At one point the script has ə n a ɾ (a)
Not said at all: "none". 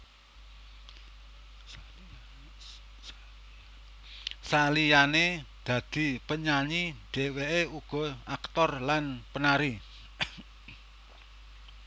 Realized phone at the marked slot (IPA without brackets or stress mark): i